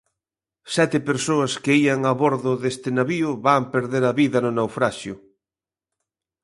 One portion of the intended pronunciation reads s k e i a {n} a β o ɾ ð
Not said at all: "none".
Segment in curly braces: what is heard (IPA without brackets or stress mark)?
ŋ